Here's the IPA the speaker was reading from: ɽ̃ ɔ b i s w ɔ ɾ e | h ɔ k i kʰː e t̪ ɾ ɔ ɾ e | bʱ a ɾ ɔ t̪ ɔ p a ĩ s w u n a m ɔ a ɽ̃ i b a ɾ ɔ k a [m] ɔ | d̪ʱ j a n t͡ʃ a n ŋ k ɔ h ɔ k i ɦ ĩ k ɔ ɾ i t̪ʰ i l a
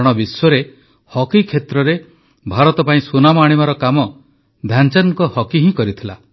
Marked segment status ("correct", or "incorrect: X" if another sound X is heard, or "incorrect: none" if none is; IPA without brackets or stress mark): correct